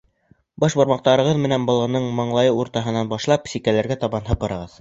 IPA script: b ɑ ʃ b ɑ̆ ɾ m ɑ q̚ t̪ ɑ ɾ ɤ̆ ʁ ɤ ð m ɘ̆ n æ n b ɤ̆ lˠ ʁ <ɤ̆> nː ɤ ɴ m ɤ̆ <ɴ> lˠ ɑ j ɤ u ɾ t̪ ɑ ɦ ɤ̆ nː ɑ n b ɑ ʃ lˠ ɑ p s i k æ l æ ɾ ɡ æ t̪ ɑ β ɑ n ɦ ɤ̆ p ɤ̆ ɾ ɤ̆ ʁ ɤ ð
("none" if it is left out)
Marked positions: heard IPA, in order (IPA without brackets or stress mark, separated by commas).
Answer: ɤ̆, ɴ